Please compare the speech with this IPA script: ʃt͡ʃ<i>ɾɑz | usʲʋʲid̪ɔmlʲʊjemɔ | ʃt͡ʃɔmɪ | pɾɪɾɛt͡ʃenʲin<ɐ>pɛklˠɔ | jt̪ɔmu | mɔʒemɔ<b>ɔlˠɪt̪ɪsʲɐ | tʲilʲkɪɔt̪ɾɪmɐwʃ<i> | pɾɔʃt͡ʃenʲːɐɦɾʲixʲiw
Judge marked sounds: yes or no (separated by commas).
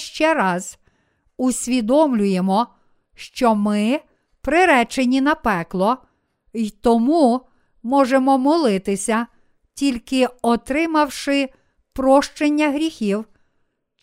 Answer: no, yes, no, no